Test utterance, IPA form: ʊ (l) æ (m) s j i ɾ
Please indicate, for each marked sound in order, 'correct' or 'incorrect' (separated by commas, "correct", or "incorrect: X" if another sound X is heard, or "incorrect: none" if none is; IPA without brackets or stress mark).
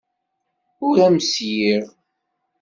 incorrect: ɾ, correct